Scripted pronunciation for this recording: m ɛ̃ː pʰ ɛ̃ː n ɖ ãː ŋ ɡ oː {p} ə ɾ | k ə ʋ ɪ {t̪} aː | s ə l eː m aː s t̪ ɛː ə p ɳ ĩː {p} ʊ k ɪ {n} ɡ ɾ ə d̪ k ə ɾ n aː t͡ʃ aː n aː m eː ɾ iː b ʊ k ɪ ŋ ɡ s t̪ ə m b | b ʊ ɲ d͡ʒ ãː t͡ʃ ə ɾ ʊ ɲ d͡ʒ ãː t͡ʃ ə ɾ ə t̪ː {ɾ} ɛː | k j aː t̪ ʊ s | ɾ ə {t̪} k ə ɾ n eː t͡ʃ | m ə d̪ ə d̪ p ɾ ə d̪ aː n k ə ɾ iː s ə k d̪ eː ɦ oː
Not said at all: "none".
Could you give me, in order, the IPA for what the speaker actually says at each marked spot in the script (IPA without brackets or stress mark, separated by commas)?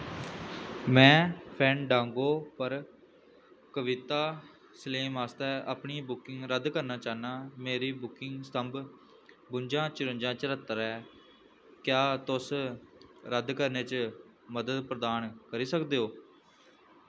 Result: p, t̪, b, ŋ, ɾ, d̪